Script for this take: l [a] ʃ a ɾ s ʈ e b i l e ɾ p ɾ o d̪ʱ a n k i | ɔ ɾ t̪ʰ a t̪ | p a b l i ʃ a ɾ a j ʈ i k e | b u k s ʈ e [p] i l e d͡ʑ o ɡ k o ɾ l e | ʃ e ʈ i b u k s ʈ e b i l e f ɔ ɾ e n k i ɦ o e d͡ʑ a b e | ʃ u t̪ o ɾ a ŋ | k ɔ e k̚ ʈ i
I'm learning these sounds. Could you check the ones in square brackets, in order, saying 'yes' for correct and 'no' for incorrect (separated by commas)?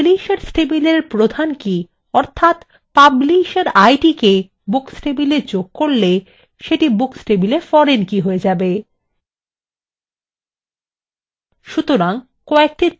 no, no